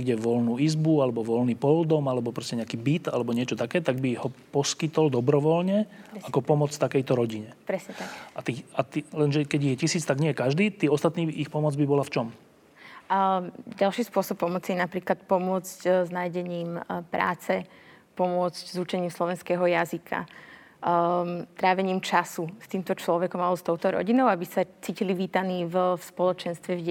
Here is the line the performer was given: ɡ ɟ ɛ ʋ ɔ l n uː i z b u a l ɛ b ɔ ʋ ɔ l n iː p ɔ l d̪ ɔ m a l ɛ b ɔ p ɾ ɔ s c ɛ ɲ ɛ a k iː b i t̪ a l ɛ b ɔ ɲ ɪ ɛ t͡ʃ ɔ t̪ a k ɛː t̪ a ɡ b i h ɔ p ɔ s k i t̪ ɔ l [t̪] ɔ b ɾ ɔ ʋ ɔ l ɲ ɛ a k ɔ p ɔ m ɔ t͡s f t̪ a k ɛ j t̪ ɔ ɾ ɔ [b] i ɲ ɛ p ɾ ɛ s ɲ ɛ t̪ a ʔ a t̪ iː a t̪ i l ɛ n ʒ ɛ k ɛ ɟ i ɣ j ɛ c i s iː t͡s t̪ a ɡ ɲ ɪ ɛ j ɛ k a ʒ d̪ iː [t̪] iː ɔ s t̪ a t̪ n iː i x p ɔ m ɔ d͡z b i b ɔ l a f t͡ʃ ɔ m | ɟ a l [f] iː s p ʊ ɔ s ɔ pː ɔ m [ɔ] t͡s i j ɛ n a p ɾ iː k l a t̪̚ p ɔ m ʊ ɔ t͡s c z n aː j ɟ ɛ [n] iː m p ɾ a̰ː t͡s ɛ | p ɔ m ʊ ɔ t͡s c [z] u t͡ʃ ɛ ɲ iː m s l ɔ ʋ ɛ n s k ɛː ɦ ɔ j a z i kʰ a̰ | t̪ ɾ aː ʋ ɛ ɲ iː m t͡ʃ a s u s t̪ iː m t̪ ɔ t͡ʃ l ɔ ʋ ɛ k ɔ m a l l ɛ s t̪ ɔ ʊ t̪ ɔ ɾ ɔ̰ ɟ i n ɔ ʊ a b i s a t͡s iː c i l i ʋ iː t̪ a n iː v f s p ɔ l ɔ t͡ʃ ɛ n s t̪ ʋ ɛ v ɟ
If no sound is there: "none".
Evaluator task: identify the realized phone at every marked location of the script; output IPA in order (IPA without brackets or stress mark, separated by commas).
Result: d̪, ɟ, t̪, ʃ, ɔ, ɲ, z